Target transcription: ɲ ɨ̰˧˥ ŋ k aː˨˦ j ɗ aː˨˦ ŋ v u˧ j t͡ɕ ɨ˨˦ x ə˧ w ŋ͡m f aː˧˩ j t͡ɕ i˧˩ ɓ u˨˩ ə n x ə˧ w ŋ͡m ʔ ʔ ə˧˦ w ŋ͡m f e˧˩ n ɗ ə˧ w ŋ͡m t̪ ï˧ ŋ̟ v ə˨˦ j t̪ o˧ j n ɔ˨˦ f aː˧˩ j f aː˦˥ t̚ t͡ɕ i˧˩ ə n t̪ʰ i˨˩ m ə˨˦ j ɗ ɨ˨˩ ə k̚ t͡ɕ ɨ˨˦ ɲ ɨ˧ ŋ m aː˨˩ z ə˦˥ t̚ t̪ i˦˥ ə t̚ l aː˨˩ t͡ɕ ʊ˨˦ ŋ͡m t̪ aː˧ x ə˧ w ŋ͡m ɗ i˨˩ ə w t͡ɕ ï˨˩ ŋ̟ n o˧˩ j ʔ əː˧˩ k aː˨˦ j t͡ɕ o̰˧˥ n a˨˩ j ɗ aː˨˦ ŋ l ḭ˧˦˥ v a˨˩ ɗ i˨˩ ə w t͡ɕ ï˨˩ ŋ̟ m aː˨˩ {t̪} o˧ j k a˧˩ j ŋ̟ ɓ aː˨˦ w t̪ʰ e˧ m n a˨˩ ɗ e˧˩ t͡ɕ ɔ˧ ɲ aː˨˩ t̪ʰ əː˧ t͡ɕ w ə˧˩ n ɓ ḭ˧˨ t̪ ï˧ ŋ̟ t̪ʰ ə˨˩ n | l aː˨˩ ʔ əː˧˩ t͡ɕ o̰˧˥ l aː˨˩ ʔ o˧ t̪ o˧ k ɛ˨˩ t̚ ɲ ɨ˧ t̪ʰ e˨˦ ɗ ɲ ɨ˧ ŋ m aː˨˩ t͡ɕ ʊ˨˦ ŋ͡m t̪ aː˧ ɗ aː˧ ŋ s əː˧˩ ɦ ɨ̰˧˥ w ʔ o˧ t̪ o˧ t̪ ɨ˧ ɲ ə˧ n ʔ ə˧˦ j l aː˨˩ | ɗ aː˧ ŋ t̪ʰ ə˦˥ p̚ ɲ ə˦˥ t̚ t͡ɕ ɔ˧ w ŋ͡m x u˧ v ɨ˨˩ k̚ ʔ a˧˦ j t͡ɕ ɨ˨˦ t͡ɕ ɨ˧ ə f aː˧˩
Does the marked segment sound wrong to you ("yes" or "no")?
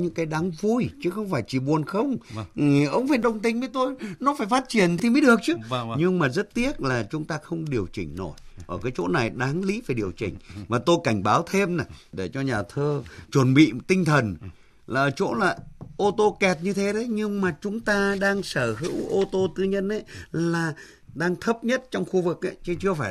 no